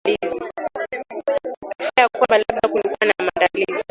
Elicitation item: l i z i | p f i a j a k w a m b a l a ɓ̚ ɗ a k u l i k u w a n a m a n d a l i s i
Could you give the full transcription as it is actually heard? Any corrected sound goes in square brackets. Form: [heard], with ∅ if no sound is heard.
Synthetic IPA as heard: l i z i | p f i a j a k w a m b a l a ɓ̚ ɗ a k u l i k u w a n a m a n d a l i [z] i